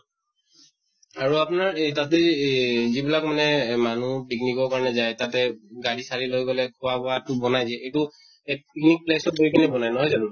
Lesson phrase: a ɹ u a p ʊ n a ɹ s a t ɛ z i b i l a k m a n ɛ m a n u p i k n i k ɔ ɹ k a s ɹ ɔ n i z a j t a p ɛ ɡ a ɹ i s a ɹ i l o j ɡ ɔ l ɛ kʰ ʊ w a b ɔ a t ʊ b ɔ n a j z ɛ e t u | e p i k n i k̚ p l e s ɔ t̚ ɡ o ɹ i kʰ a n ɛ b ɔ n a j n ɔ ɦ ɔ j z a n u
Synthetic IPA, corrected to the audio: a ɹ u a p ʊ n a ɹ t a t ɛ z i b i l a k m a n ɛ m a n u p i k n i k ɔ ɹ k a ɹ ɔ n ɛ z a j t a t ɛ ɡ a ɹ i s a ɹ i l o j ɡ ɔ l ɛ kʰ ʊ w a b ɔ a t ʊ b ɔ n a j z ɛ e t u | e p i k n i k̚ p l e s ɔ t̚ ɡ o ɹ i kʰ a n ɛ b ɔ n a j n ɔ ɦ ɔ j z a n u